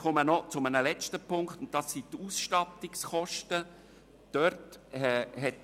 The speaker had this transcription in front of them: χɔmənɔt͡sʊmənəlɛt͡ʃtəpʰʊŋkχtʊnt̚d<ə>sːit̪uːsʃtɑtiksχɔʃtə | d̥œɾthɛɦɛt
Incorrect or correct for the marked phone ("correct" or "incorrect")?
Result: incorrect